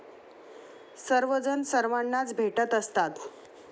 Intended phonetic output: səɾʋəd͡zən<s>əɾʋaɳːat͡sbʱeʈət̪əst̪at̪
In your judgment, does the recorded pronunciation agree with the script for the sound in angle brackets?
yes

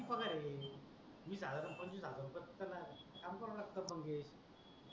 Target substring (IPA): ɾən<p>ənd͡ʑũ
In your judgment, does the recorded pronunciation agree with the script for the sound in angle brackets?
yes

